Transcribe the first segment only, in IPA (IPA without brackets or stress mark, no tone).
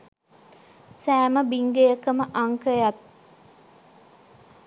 s